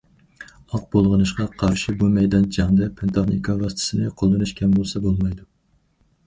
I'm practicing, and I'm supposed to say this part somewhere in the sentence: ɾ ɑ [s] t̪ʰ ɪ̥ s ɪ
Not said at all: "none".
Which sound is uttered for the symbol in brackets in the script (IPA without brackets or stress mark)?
s